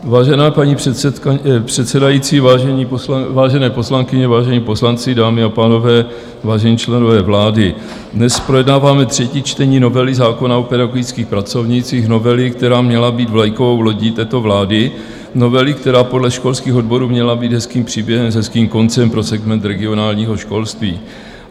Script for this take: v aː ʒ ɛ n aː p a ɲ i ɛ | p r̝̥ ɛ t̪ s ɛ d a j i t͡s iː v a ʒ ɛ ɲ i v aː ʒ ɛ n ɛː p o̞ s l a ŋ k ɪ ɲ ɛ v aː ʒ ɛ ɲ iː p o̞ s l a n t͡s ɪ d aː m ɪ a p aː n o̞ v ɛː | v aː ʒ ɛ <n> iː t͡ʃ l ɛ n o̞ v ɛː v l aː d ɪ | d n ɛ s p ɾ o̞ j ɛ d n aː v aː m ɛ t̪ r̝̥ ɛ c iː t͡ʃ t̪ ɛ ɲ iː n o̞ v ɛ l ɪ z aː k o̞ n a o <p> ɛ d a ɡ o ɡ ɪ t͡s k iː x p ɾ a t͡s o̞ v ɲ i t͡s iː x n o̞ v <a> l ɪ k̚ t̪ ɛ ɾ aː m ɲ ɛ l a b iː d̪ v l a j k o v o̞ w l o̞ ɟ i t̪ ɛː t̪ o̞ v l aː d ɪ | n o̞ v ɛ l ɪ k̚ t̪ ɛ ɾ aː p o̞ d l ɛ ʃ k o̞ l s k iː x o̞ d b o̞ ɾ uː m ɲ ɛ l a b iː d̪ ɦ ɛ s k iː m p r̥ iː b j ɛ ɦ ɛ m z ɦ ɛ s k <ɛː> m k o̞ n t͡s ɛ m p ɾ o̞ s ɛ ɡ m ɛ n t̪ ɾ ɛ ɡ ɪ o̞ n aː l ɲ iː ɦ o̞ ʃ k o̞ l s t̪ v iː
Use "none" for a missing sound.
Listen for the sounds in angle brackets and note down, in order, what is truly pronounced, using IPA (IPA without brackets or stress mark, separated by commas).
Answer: ɲ, p, ɛ, iː